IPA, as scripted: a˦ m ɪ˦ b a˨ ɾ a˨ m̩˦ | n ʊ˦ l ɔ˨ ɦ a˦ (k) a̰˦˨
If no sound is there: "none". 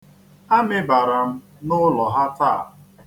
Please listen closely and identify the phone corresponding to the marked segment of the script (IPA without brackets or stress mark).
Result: t